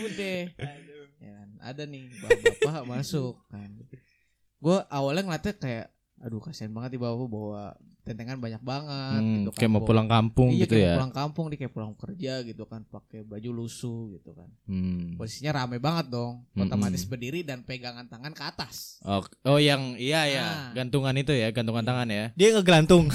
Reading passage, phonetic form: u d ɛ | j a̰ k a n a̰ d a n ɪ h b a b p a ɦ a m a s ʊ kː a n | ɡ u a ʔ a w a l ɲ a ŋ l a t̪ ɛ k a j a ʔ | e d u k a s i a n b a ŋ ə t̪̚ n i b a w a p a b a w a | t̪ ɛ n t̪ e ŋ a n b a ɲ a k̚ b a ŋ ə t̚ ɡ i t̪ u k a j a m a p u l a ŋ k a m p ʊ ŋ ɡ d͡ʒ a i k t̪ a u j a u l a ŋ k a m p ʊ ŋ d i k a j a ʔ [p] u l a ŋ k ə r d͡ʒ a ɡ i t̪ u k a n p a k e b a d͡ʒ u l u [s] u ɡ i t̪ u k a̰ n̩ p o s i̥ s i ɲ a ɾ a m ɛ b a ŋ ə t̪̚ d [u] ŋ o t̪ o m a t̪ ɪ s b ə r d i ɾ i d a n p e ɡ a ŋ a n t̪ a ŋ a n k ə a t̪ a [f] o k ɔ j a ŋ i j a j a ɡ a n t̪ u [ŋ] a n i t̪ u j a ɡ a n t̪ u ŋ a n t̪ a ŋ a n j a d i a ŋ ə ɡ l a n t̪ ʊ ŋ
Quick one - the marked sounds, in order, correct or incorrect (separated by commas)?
correct, correct, incorrect, incorrect, correct